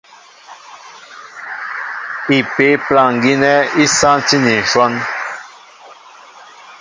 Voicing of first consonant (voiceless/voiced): voiceless